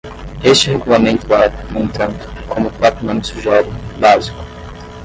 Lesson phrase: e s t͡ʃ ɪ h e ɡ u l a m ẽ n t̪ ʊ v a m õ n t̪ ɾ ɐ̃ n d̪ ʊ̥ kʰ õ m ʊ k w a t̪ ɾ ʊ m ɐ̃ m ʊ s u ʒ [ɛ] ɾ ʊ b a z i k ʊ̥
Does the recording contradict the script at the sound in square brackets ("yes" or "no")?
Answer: no